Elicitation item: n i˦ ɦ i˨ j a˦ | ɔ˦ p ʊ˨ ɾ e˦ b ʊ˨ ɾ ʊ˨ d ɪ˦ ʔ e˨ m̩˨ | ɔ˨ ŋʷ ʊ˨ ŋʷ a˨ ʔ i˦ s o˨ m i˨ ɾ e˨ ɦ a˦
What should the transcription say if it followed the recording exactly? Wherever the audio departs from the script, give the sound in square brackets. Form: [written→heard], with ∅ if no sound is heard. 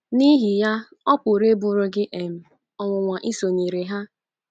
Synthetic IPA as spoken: n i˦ ɦ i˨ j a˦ | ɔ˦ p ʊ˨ ɾ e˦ b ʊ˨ ɾ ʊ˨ [d→ɡ] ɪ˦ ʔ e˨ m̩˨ | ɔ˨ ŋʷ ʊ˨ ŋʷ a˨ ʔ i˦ s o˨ [m→ɲ] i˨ ɾ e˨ ɦ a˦